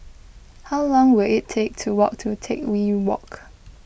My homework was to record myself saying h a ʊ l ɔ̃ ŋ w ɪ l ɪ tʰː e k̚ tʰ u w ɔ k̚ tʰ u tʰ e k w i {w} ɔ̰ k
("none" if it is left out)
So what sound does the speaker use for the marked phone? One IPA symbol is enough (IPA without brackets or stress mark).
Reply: w